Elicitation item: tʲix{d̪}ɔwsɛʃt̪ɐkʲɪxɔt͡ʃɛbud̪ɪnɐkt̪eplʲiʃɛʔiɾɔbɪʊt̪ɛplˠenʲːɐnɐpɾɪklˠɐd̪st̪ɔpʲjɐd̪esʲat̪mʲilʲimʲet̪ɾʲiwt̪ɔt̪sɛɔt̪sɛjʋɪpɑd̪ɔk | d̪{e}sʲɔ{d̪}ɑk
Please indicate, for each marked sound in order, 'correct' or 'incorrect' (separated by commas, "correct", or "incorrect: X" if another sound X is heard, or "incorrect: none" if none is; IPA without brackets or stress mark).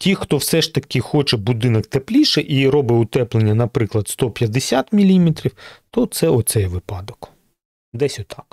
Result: incorrect: t̪, incorrect: ɛ, incorrect: t̪